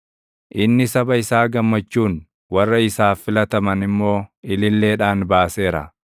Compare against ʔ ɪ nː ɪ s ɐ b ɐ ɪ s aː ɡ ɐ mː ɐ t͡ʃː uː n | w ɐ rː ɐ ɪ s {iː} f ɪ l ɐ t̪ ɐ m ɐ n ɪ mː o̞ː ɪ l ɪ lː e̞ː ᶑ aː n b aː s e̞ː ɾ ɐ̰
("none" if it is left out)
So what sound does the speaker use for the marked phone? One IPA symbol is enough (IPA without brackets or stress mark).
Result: aː